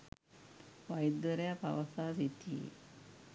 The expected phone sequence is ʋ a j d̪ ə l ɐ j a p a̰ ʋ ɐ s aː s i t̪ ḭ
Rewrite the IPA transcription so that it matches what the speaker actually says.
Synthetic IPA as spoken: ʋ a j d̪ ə ɾ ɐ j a p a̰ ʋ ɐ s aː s i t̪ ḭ